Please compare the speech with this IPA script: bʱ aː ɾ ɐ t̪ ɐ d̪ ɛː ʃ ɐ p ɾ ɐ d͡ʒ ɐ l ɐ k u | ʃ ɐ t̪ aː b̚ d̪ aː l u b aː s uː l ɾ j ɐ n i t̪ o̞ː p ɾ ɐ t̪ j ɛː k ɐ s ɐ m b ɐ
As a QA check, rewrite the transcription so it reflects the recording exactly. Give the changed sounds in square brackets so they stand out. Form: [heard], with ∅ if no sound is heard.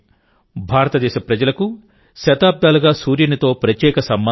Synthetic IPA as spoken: bʱ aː ɾ ɐ t̪ ɐ d̪ ɛː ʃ ɐ p ɾ ɐ d͡ʒ ɐ l ɐ k u | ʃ ɐ t̪ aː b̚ d̪ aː l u [ɡ] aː s uː [∅] ɾ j ɐ n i t̪ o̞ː p ɾ ɐ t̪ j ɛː k ɐ s ɐ m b ɐ